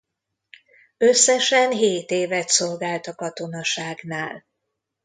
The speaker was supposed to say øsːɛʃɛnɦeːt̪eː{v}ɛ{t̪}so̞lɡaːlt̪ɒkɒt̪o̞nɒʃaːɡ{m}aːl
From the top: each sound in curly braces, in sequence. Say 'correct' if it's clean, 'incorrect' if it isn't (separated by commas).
correct, correct, incorrect